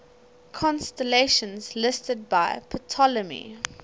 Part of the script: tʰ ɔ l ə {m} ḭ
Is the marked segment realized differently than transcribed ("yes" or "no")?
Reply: no